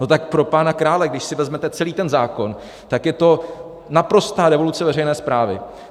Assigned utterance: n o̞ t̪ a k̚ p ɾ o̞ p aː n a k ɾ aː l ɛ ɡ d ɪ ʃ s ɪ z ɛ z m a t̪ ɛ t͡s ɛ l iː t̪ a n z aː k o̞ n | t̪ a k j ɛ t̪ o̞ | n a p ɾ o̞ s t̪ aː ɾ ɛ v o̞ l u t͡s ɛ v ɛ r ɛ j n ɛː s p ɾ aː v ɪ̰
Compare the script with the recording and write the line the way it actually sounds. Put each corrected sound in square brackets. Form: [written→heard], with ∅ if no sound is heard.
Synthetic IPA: n o̞ t̪ a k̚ p ɾ o̞ p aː n a k ɾ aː l ɛ ɡ d ɪ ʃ s ɪ [z→v] ɛ z m [a→ɛ] t̪ ɛ t͡s ɛ l iː t̪ [a→ɛ] n z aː k o̞ n | t̪ a k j ɛ t̪ o̞ | n a p ɾ o̞ s t̪ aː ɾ ɛ v o̞ l u t͡s ɛ v ɛ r ɛ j n ɛː s p ɾ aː v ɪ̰